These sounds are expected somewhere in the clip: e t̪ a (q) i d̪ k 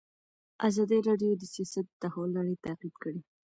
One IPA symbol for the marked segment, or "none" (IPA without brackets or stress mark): q